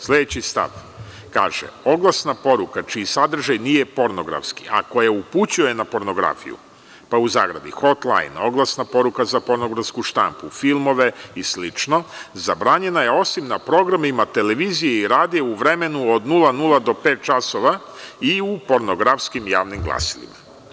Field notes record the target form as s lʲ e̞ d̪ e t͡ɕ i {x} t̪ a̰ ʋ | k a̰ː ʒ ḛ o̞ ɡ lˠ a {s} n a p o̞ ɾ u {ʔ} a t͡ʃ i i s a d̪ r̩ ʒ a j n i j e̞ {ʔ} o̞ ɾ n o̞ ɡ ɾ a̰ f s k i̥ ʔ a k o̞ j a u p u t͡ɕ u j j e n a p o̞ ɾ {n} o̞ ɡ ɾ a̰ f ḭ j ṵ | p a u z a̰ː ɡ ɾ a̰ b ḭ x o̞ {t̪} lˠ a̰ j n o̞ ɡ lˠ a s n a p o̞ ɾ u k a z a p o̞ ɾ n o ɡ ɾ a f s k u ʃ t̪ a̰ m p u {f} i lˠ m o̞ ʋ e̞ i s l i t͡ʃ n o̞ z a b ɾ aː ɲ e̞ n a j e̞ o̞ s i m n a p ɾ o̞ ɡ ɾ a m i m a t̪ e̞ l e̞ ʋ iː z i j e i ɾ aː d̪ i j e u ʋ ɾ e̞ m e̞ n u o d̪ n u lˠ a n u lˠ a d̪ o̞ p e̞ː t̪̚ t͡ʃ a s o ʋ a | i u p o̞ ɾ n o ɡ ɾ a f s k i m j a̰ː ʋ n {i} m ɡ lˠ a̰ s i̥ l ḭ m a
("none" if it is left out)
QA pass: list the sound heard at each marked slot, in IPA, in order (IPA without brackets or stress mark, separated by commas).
s, s, k, p, n, t̪, f, i